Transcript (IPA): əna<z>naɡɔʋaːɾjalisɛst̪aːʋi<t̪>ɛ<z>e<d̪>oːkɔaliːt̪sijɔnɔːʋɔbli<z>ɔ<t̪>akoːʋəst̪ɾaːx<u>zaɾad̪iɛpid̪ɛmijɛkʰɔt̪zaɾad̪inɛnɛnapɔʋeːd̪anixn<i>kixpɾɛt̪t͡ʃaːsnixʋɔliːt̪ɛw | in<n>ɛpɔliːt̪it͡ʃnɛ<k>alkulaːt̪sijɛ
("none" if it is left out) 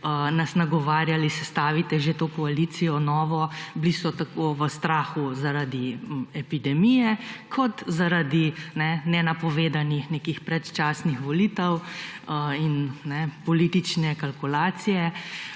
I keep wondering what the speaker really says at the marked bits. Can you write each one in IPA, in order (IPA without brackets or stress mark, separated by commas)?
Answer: s, t̪, ʒ, t̪, s, t̪, u, e, n, k